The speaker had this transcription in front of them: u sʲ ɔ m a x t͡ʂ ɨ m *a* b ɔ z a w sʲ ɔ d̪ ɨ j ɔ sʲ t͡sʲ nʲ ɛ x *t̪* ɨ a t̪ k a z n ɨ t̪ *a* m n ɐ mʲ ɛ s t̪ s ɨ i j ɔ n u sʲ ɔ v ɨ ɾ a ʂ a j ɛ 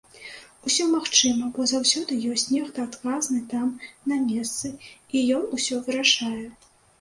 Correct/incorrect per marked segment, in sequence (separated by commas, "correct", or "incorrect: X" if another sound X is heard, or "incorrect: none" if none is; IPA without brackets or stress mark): incorrect: ɐ, correct, correct